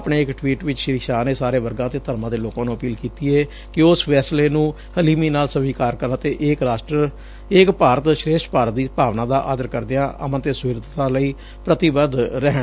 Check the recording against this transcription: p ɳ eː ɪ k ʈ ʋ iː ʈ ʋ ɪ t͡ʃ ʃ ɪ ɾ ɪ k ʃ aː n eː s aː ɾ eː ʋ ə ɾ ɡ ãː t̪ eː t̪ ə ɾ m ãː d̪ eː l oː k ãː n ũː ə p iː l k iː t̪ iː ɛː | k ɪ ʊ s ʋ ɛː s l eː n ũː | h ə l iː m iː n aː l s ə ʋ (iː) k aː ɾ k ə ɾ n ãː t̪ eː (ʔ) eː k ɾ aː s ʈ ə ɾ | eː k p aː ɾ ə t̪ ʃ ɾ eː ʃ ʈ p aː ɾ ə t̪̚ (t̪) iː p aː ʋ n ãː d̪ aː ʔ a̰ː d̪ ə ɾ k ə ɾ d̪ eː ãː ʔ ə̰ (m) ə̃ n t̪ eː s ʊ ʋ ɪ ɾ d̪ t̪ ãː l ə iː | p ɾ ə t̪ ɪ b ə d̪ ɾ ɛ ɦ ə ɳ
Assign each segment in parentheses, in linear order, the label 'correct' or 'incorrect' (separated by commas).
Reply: correct, correct, incorrect, correct